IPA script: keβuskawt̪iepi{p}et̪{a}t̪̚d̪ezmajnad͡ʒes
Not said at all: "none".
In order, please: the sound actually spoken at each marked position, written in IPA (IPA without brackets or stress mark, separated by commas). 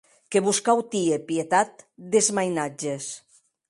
none, a